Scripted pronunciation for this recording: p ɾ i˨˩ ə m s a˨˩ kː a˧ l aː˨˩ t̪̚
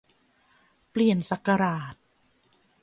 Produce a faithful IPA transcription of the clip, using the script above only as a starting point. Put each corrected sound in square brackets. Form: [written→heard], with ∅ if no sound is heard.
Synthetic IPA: p [ɾ→l] i˨˩ ə [m→n] s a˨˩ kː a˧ [l→ɾ] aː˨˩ t̪̚